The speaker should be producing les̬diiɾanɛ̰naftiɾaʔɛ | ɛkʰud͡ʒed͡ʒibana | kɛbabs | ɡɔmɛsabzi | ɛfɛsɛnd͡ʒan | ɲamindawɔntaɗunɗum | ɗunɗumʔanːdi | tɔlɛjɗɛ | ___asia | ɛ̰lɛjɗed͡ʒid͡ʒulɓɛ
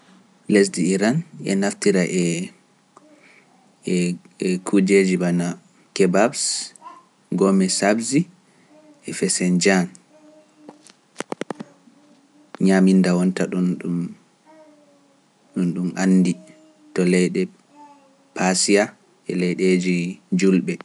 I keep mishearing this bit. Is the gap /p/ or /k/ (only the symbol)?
p